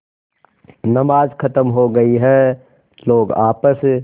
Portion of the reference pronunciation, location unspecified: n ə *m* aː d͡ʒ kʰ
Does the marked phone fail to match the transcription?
no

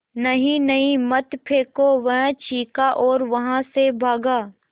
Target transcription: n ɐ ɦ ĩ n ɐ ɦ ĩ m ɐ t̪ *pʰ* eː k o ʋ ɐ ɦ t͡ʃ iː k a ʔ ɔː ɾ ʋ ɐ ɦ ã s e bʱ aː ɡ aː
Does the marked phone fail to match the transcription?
no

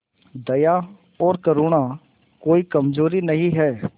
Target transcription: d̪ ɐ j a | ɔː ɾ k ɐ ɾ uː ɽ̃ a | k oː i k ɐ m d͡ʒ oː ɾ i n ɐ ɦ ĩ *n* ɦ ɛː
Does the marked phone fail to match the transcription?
yes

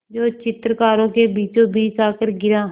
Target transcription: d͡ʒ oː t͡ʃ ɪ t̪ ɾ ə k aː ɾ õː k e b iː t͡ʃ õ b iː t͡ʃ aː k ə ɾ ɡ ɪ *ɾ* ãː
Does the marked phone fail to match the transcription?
no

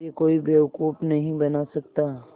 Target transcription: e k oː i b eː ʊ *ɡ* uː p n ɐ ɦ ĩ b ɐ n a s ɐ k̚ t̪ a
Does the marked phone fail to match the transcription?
yes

